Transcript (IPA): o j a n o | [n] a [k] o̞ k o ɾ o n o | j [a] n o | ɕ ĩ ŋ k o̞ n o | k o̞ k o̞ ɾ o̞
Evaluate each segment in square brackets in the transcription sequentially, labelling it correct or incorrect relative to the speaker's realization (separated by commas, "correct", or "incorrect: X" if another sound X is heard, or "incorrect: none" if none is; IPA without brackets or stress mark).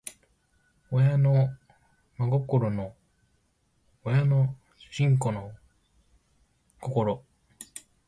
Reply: incorrect: m, incorrect: ɡ, correct